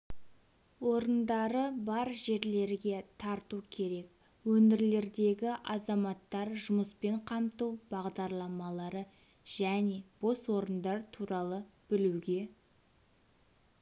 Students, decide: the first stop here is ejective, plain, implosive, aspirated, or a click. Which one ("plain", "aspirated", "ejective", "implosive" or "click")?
plain